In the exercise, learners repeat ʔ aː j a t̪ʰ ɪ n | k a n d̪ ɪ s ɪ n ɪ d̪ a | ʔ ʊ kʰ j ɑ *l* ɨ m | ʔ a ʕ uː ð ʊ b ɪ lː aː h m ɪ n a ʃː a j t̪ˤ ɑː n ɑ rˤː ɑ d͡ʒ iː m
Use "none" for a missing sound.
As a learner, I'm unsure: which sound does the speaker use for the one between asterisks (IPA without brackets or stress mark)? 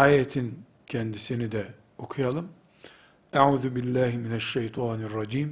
l